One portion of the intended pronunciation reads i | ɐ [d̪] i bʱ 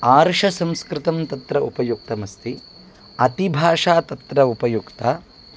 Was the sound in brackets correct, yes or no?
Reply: no